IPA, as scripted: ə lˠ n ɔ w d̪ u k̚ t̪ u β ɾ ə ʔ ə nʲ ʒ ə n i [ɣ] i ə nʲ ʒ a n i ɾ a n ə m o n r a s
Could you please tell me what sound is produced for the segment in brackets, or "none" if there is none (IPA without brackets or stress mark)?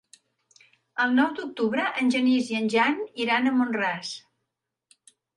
z